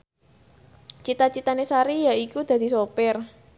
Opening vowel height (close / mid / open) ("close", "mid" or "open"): close